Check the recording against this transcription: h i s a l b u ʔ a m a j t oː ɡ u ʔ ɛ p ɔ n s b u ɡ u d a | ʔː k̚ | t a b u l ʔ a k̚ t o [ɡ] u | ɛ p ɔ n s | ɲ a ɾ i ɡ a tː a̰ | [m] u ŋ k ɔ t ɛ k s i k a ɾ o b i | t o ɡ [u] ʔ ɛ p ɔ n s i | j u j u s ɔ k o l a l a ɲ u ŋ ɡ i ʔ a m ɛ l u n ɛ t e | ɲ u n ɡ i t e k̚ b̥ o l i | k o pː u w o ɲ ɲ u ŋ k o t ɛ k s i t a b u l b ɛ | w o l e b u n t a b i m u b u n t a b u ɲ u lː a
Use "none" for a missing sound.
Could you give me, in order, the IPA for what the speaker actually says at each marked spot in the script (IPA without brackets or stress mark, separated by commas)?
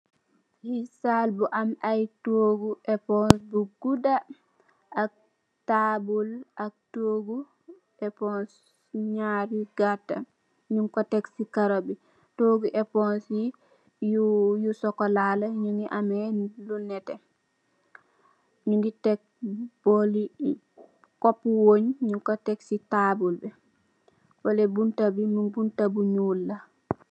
ɡ, ɲ, u